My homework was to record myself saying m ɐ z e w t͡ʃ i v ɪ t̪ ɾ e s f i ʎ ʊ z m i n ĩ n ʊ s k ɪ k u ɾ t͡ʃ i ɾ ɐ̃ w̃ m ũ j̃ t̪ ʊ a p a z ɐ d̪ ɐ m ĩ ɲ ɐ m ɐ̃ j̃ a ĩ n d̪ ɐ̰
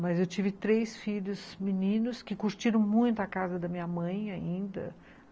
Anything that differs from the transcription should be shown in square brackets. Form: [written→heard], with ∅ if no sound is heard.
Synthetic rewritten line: m ɐ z e w t͡ʃ i v ɪ t̪ ɾ e s f i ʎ ʊ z m i n ĩ n ʊ s k ɪ k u ɾ t͡ʃ i ɾ ɐ̃ w̃ m ũ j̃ t̪ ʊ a [p→k] a z ɐ d̪ ɐ m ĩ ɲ ɐ m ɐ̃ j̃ a ĩ n d̪ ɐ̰